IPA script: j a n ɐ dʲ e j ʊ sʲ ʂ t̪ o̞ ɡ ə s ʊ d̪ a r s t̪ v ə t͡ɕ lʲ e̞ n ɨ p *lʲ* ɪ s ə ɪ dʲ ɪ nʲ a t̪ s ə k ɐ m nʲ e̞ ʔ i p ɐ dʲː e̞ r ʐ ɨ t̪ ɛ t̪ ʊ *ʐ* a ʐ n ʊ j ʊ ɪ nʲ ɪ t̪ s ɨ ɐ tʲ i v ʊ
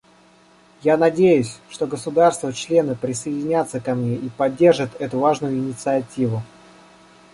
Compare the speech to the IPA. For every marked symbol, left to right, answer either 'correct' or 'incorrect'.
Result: incorrect, incorrect

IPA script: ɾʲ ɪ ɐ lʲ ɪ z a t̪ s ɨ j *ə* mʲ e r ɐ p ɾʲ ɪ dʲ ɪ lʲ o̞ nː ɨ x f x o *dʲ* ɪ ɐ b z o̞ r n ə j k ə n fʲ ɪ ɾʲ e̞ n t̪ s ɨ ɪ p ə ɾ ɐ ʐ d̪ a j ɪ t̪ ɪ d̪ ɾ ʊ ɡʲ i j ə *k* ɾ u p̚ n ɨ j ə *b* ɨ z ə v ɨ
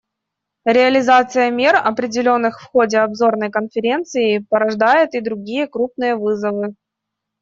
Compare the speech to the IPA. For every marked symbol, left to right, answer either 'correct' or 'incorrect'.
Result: correct, correct, correct, incorrect

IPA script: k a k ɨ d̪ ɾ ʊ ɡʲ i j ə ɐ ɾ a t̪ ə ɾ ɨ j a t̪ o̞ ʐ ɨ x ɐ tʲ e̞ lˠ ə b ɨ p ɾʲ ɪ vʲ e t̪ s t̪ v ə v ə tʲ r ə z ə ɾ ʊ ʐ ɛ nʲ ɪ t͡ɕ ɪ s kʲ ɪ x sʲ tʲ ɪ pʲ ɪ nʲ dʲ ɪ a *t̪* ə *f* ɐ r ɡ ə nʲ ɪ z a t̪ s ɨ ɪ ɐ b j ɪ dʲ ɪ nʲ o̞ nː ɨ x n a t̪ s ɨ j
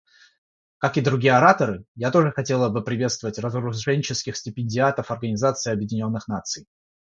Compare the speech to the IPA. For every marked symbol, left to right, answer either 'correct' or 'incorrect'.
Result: correct, correct

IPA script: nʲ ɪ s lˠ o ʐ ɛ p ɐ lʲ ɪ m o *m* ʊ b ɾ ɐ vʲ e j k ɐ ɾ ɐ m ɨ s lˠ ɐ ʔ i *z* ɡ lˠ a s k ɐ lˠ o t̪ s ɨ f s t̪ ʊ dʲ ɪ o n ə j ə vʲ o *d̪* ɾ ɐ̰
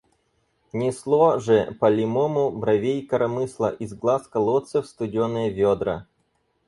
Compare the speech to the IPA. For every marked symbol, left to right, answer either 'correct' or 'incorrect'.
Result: correct, correct, correct

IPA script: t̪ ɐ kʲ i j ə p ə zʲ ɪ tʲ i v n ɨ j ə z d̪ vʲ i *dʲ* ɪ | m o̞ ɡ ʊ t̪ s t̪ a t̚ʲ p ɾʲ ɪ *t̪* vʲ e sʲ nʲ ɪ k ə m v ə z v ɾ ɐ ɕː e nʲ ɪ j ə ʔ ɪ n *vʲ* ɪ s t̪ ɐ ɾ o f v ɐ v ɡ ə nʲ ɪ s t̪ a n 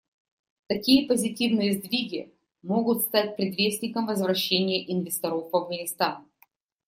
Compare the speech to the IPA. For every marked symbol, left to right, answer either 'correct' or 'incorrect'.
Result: incorrect, incorrect, correct

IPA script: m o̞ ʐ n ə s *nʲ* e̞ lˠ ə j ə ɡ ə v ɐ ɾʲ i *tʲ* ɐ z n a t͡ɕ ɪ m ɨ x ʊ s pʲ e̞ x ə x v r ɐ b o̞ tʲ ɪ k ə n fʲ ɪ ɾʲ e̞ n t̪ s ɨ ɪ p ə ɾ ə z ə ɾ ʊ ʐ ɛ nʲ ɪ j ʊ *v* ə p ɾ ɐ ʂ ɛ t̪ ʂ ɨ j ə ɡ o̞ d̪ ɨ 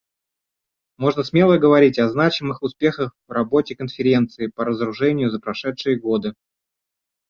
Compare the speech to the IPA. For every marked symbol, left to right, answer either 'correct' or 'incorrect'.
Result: incorrect, correct, incorrect

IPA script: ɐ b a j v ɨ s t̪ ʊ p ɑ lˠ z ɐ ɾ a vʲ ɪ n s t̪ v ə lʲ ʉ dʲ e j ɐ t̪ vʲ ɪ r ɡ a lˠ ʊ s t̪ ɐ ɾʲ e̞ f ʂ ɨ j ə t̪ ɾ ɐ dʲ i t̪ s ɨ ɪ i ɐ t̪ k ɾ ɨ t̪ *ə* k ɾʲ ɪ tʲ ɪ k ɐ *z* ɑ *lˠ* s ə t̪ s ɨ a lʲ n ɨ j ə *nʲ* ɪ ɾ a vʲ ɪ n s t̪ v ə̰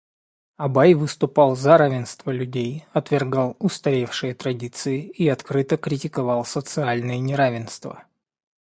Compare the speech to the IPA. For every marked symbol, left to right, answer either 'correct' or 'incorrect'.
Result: correct, incorrect, correct, correct

